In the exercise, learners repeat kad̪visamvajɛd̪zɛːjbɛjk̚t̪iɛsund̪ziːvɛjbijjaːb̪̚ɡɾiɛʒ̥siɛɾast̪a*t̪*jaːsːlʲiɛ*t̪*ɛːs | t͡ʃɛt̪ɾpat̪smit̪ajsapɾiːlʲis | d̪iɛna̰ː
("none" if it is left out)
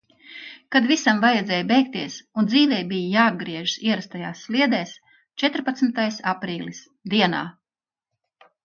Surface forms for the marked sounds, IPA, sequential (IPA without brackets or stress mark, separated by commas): none, d̪